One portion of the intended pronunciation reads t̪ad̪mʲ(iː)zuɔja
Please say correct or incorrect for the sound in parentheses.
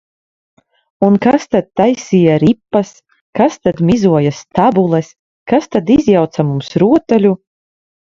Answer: incorrect